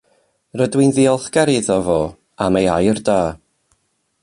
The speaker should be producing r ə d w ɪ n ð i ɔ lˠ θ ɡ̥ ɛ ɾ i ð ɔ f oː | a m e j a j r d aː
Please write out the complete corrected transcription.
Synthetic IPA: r ə d w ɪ n ð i ɔ lˠ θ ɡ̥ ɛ ɾ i ð ɔ v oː | a m e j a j r d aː